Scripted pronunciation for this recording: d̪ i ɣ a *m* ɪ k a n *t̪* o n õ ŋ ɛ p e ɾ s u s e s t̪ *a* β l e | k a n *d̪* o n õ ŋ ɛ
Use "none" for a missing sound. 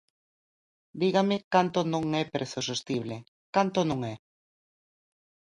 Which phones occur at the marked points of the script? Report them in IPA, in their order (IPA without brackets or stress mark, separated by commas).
m, t̪, i, t̪